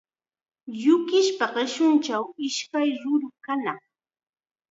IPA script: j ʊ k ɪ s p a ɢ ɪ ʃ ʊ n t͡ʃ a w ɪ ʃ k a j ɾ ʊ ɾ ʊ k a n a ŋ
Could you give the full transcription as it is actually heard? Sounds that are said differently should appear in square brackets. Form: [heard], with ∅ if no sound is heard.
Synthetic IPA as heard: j ʊ k ɪ [ʃ] p a ɢ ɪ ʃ ʊ n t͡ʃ a w ɪ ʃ k a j ɾ ʊ ɾ ʊ k a n a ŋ